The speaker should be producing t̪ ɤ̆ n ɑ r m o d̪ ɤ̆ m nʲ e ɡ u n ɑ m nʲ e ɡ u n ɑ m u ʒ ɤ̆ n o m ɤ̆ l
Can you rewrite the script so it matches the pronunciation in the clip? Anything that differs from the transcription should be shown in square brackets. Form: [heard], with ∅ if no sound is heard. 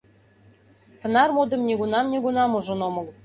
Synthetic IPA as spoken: t̪ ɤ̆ n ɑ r m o d̪ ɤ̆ m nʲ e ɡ u n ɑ m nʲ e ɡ u n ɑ m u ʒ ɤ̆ n o m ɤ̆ l

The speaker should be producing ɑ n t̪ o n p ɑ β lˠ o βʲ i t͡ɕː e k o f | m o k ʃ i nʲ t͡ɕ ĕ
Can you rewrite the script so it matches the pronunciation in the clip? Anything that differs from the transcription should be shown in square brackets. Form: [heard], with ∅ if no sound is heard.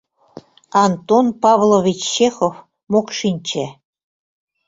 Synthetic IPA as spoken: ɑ n t̪ o n p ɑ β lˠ o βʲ i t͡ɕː e [x] o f | m o k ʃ i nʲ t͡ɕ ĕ

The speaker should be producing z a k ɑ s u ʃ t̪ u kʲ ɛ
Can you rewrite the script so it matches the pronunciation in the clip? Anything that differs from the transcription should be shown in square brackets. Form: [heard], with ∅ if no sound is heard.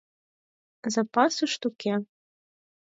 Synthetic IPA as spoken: z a [p] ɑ s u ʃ t̪ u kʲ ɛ

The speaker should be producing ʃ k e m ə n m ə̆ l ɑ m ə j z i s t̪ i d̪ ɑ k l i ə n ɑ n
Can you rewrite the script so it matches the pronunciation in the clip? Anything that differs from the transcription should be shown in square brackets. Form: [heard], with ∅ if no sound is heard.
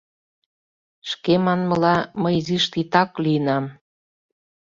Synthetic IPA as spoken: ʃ k e m [ɑ] n m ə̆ l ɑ m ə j z i [ʃ] t̪ i [t̪] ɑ k l i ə n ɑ [m]

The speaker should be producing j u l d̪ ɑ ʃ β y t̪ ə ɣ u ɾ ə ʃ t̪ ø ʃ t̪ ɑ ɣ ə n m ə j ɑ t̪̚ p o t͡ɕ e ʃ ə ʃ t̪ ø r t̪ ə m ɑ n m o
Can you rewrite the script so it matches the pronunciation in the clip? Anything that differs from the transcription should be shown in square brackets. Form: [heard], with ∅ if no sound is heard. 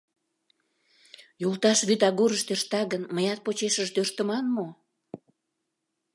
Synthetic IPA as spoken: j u l [t̪] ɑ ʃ β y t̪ [ɑ] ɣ u ɾ ə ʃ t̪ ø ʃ t̪ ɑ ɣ ə n m ə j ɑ t̪̚ p o t͡ɕ e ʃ ə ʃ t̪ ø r t̪ ə m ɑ n m o

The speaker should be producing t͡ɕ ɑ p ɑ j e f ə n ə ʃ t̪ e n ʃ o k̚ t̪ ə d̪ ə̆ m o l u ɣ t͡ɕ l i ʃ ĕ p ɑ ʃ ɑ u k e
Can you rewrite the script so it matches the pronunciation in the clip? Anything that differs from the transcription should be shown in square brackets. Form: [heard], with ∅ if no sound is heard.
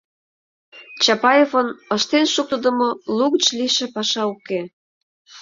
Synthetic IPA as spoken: t͡ɕ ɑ p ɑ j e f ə n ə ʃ t̪ e n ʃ [u] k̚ t̪ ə d̪ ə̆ m o l u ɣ t͡ɕ l i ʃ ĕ p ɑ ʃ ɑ u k e

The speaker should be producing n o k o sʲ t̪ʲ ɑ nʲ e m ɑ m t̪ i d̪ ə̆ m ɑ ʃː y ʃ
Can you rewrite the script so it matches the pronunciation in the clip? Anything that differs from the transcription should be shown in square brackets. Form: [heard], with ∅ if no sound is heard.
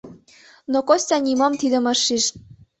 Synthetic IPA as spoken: n o k o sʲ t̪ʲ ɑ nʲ [i] m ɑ m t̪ i d̪ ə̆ m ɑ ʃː [i] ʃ

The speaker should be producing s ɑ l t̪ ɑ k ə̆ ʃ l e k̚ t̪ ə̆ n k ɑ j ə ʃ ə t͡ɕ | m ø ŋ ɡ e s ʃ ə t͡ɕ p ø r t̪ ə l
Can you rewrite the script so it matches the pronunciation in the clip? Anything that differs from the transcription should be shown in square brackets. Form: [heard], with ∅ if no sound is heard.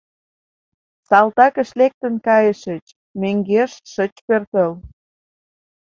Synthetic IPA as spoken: s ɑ l t̪ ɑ k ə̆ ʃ l e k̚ t̪ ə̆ n k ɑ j ə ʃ ə t͡ɕ | m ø ŋ ɡ e [ʃ] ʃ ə t͡ɕ p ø r t̪ ə l

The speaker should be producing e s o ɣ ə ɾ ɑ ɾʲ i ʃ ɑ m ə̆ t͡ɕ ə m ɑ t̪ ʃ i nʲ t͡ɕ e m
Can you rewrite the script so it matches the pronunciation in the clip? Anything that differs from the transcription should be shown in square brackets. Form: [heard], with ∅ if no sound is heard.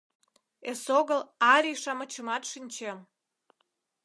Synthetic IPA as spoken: e s o ɣ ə [l] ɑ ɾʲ i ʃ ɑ m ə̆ t͡ɕ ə m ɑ t̪ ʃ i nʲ t͡ɕ e m

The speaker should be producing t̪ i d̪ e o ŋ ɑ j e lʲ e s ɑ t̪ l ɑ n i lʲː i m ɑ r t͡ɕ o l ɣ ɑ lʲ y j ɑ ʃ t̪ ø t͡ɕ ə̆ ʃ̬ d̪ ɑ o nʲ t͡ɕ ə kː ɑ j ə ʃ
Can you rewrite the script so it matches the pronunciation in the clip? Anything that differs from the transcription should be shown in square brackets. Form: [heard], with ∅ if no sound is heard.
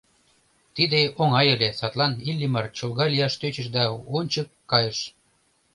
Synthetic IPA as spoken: t̪ i d̪ e o ŋ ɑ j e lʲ e s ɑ t̪ l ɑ n i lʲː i m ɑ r t͡ɕ o l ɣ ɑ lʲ [i] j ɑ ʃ t̪ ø t͡ɕ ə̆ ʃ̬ d̪ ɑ o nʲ t͡ɕ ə kː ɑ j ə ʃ

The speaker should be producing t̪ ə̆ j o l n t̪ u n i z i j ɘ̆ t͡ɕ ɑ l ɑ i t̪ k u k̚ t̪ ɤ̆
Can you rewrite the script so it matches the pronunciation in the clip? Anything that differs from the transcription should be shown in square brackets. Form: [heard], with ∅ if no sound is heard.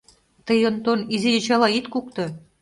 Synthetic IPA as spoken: t̪ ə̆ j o [∅] n t̪ [o] n i z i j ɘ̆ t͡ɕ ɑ l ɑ i t̪ k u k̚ t̪ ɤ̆

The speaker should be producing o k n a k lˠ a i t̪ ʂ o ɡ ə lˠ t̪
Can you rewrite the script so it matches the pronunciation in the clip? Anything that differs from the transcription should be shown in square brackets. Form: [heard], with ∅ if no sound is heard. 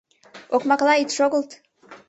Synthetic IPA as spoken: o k [m] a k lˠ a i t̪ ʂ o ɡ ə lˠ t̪

